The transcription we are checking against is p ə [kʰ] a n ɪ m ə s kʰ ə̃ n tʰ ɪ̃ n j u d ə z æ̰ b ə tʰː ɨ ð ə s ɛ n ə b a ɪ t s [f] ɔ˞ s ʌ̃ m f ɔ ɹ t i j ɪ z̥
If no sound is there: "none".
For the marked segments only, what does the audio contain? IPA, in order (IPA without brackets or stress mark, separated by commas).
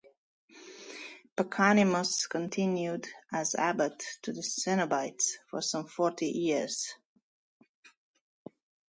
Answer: kʰ, f